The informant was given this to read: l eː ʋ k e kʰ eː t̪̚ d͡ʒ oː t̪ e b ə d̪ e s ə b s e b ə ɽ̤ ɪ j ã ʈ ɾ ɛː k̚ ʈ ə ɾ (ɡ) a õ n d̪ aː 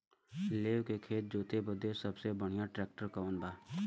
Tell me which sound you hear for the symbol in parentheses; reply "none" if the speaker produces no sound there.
k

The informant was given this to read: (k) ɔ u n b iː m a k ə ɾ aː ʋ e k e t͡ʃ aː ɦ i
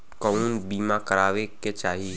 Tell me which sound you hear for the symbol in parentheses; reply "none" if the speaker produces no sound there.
k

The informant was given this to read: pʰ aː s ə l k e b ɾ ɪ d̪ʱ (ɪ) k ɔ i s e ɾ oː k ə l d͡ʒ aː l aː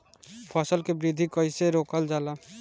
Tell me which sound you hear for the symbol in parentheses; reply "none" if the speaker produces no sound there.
i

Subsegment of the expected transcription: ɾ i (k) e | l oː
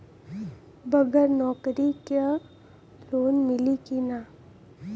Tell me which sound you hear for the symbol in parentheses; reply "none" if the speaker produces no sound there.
k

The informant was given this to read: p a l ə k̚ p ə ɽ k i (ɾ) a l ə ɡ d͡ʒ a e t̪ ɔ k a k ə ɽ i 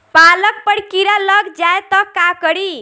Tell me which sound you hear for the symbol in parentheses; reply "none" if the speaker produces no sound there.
ɾ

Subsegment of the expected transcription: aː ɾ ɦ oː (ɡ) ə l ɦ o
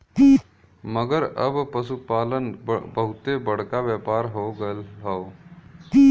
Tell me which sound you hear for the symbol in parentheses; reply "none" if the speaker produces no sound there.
ɡ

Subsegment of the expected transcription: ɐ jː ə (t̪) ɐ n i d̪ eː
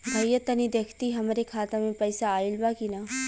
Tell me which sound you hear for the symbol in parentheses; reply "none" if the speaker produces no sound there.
t̪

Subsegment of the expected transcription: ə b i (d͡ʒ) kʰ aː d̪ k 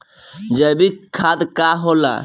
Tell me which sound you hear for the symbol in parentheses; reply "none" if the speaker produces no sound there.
none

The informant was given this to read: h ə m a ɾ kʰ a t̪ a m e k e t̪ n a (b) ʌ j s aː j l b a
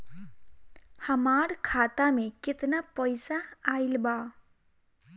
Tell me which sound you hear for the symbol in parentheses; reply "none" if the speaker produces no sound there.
p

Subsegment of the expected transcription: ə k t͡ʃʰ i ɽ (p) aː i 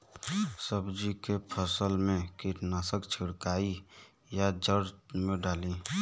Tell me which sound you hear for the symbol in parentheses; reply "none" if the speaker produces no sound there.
k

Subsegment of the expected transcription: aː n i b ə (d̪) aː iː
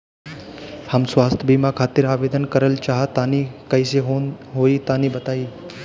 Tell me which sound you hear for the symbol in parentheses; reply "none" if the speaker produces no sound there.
t̪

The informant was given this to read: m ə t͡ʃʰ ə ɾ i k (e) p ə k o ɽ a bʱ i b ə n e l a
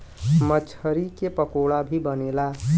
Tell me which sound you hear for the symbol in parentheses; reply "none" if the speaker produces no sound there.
e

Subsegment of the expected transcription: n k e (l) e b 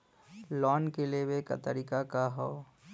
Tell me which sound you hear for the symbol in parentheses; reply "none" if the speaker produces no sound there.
l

